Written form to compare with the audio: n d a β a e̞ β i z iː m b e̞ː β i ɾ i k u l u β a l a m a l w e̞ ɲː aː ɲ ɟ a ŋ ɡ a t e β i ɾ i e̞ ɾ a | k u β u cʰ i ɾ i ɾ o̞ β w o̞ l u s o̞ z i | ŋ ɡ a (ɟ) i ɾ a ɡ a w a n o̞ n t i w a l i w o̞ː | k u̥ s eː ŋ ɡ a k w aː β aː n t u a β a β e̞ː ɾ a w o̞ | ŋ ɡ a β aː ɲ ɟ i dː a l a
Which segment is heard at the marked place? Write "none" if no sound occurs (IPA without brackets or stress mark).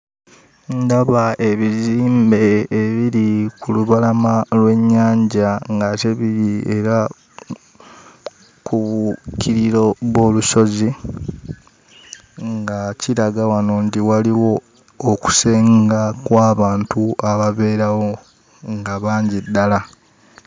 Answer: c